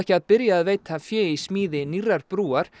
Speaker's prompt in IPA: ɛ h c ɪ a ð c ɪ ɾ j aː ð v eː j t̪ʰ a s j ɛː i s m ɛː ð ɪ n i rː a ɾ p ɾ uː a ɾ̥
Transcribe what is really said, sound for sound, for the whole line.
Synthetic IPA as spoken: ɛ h c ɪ a ð p ɪ ɾ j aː ð v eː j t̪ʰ a f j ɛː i s m iː ð ɪ n i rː a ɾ p ɾ uː a ɾ̥

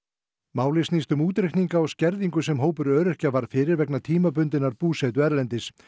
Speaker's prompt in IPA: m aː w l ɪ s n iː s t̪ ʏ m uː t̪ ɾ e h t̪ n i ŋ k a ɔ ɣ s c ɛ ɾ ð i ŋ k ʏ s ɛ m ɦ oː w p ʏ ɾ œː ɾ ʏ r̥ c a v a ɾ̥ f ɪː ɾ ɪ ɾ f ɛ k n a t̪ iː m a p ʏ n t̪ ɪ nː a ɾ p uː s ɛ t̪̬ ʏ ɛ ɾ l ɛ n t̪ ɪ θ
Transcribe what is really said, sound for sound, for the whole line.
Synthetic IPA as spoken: m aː w l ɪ s n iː s t̪ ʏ m uː t̪ ɾ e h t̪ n i ŋ k a ɔ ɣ s c ɛ ɾ ð i ŋ k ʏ s ɛ m ɦ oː w p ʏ ɾ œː ɾ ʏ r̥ c a v a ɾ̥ f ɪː ɾ ɪ ɾ v ɛ k n a t̪ʰ iː m a p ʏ n t̪ ɪ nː a ɾ p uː s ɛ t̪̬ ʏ ɛ ɾ l ɛ n t̪ ɪ s

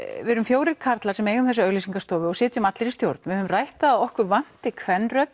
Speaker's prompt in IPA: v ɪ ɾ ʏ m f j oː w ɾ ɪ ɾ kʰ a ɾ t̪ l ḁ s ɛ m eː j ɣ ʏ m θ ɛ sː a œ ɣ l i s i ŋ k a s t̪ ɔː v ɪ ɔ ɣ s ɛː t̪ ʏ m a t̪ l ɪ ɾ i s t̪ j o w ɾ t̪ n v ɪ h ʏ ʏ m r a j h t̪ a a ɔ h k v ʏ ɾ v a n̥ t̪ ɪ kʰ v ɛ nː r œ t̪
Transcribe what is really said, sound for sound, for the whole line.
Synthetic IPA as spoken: v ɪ ɾ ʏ m f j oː w ɾ ɪ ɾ kʰ a ɾ t̪ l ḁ s ɛ m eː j ɣ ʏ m θ ɛ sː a œ ɣ l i s i ŋ k a s t̪ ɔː v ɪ ɔ ɣ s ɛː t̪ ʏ m a t̪ l ɪ ɾ i s t̪ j o w ɾ t̪ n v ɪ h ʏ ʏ m r a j h t̪ a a ɔ h k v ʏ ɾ v a n̥ t̪ ɪ kʰ v ɛ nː r œ t̪

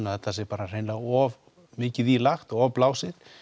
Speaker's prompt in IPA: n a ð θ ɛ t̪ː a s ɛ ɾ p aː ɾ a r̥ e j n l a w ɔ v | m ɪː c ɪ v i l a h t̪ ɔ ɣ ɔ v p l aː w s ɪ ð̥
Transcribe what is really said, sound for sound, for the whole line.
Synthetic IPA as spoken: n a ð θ ɛ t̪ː a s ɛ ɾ p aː ɾ a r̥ e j n l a ɣ ɔ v | m ɪː c ɪ ð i l a x t̪ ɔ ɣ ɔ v p l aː w s ɪ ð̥

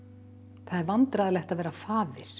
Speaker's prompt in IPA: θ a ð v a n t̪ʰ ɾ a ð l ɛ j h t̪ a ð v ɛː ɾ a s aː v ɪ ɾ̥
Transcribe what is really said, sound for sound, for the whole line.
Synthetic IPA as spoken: θ a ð v a n t̪ ɾ a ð l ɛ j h t̪ a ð v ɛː ɾ a f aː v ɪ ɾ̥

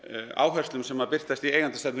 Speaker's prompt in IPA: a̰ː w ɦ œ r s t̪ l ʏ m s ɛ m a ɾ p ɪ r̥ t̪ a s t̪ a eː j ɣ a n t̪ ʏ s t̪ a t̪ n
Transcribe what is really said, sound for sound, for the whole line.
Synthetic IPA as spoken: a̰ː w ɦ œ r s t̪ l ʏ m s ɛ m a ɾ p ɪ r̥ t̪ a s t̪ i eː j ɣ a n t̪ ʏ s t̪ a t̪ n

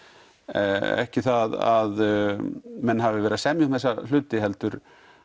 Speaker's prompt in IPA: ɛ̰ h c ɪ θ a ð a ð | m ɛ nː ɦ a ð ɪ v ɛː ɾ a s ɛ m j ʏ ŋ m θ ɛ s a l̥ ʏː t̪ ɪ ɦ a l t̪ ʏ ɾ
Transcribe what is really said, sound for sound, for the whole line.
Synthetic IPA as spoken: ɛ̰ h c ɪ θ a ð a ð | m ɛ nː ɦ a v ɪ v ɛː ɾ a s ɛ m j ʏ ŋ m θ ɛ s a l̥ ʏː t̪ ɪ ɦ ɛ l t̪ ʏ ɾ

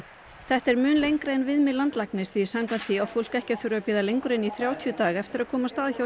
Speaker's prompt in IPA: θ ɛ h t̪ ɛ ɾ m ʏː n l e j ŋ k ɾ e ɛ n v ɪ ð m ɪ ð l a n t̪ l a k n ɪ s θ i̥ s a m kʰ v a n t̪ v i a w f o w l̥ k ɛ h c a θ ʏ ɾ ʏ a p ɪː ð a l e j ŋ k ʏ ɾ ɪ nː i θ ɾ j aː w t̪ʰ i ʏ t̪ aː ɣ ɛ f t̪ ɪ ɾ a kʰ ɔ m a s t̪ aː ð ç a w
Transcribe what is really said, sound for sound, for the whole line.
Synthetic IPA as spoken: θ ɛ h t̪ ɛ ɾ m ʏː n l e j ŋ k ɾ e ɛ n v ɪ ð m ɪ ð l a n t̪ l a k n ɪ s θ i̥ s a m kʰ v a n t̪ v i a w f o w l̥ k ɛ h c a θ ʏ ɾ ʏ a p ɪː ð a l e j ŋ k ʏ ɾ ɪ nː i θ ɾ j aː w t̪ʰ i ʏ t̪ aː ɣ ɛ f t̪ ɪ ɾ a kʰ ɔː m a s t̪ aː ð ç a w

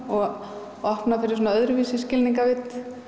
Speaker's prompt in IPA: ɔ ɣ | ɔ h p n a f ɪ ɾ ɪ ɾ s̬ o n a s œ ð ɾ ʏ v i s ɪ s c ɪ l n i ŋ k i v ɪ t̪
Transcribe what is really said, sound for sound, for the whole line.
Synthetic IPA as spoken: ɔ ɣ | ɔ h p n a f ɪ ɾ ɪ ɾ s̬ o n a œ ð ɾ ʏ v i s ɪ s c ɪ l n i ŋ k a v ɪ t̪

